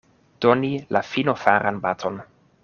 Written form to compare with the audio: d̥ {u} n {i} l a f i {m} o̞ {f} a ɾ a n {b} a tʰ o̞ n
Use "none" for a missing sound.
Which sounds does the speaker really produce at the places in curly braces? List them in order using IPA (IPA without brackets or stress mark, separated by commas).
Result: o, i, n, f, b